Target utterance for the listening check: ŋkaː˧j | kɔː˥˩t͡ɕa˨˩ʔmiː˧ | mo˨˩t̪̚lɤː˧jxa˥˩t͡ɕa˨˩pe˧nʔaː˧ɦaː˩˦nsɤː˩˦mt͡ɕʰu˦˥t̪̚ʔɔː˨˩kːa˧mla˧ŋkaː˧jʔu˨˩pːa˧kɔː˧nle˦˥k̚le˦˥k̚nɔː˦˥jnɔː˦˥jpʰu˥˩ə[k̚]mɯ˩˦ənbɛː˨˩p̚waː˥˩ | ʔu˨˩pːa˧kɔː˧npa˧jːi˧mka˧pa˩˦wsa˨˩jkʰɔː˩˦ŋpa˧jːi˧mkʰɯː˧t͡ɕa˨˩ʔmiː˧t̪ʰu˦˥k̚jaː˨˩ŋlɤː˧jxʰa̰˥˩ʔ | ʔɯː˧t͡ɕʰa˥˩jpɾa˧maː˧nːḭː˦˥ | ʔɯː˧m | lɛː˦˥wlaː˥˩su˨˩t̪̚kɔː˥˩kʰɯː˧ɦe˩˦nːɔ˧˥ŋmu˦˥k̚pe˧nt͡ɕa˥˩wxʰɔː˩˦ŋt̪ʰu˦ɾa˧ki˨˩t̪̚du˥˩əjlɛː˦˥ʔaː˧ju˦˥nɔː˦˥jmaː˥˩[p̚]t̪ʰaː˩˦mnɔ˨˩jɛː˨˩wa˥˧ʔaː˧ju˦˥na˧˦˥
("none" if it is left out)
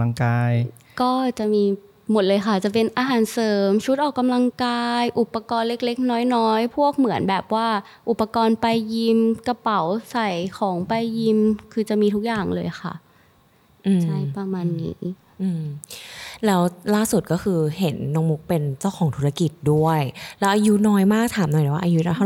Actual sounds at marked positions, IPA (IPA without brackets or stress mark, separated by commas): k̚, k̚